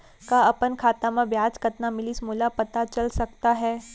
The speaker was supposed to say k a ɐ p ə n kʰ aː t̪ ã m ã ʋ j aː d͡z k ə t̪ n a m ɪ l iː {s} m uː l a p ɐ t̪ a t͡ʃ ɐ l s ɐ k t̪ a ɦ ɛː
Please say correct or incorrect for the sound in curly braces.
correct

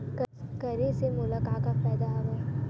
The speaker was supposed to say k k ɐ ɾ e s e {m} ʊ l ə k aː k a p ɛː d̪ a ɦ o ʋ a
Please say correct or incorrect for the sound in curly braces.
correct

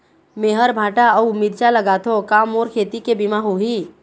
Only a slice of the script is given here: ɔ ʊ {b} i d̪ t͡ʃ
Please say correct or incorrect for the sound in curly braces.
incorrect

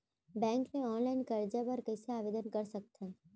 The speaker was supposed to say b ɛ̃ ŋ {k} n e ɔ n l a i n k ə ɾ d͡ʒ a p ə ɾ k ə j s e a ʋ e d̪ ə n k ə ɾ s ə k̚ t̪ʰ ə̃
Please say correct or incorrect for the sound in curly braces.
correct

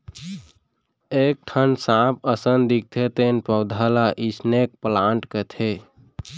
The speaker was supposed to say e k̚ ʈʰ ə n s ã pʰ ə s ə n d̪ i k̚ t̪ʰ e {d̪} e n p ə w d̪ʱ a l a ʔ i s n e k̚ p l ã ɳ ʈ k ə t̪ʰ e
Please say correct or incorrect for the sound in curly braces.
incorrect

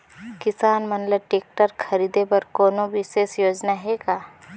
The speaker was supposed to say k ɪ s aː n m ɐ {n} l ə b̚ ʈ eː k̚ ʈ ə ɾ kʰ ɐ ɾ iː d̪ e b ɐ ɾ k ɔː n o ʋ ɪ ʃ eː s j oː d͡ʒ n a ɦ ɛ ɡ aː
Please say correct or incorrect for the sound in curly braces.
correct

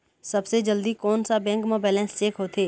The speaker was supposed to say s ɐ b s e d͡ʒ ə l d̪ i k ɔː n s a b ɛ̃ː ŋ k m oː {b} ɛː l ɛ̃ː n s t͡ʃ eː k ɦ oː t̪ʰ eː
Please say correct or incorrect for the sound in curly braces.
correct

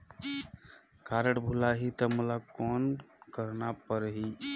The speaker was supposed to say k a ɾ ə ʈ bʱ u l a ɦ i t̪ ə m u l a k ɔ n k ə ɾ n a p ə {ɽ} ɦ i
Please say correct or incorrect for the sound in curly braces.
incorrect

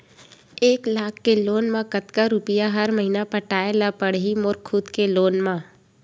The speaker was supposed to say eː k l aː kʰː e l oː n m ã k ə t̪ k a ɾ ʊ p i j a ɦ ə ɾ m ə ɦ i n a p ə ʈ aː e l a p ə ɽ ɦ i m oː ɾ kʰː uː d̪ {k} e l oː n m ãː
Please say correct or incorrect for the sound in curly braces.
correct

